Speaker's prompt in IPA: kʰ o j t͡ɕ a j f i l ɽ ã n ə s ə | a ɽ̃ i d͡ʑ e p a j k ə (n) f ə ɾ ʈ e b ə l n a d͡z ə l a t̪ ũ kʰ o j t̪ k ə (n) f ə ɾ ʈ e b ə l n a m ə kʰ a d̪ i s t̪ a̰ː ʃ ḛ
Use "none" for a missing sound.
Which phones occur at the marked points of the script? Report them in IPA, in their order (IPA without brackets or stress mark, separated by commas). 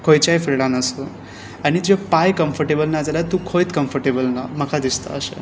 m, m